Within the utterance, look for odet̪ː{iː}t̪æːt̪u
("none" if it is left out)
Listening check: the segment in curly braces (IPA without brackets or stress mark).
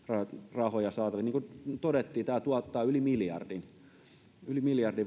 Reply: iː